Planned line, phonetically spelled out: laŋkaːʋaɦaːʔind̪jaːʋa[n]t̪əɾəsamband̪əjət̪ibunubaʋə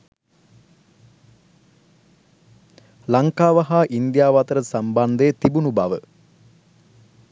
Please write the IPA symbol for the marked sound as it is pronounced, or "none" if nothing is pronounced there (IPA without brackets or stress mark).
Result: none